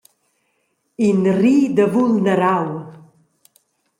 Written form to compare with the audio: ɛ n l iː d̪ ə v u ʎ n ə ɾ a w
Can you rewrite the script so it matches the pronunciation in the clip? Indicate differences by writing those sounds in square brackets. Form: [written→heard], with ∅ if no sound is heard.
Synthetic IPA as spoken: [ɛ→i] n [l→r] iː d̪ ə v u [ʎ→l] n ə ɾ a w